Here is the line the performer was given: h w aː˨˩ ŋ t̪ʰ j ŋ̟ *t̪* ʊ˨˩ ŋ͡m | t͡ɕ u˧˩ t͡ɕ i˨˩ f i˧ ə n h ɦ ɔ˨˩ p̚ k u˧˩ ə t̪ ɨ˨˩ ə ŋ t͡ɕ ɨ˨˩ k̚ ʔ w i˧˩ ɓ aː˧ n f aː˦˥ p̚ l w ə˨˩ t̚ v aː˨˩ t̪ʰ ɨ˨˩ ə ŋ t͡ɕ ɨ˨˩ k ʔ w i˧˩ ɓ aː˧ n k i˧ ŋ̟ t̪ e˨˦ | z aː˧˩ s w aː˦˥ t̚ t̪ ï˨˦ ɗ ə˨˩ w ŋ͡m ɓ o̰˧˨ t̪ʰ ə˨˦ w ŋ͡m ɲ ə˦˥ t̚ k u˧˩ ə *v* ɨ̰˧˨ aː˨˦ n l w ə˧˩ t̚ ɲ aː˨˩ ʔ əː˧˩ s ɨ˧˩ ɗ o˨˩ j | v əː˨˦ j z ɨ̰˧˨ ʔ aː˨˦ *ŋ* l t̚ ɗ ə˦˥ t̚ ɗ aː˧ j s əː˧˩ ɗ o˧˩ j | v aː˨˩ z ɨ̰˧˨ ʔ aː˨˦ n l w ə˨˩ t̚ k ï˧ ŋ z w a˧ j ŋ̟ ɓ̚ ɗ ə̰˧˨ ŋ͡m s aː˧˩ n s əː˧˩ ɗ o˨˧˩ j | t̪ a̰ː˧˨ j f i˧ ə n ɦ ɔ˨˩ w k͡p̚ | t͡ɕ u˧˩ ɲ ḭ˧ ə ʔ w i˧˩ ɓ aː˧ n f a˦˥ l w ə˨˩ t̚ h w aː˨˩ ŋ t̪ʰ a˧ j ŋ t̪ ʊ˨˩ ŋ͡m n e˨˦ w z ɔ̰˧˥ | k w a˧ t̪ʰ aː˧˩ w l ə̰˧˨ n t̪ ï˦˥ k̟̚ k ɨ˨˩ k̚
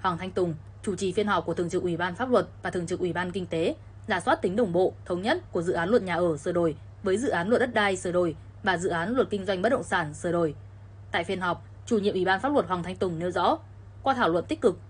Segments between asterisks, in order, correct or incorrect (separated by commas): correct, incorrect, incorrect